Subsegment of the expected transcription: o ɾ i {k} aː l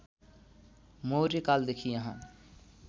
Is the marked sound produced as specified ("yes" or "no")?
yes